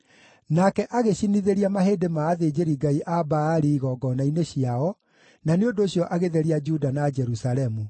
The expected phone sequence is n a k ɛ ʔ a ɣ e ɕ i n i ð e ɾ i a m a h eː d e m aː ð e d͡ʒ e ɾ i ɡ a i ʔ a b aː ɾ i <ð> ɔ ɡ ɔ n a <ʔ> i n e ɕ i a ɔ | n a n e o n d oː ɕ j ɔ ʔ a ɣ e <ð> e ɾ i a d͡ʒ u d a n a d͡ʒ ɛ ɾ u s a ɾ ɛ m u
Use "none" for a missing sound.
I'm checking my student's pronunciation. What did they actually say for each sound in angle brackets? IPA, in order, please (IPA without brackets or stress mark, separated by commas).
ɣ, none, ð